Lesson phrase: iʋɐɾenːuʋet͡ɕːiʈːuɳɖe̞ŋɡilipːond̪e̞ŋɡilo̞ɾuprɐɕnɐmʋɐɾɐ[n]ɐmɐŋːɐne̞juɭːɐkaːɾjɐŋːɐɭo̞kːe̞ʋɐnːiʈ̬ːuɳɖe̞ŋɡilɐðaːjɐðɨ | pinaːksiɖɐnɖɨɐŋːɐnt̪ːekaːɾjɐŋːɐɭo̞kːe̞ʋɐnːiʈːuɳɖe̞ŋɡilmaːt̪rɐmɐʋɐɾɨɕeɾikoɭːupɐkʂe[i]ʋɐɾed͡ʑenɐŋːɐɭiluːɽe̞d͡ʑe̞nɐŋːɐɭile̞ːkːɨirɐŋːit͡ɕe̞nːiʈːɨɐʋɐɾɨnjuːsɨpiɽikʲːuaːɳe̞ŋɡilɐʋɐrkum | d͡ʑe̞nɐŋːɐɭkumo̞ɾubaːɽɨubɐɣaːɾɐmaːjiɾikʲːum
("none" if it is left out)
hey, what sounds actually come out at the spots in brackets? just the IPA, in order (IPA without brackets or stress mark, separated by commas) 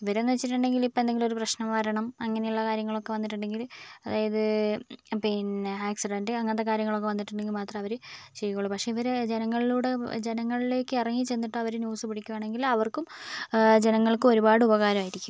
ɳ, i